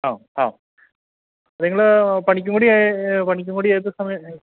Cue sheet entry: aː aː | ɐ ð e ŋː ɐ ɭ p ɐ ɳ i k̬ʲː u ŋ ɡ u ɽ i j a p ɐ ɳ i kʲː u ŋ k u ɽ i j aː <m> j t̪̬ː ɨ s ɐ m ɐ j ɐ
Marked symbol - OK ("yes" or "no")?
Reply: no